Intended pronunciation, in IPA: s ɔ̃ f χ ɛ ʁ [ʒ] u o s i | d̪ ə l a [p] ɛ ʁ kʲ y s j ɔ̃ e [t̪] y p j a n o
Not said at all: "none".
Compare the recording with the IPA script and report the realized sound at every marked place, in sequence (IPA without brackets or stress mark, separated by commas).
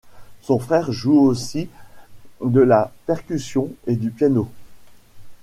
ʒ, p, d̪